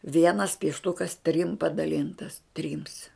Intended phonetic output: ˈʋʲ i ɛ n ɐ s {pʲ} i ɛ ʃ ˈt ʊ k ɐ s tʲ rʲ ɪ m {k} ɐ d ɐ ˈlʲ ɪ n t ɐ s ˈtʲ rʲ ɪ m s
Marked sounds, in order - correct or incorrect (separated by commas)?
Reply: correct, incorrect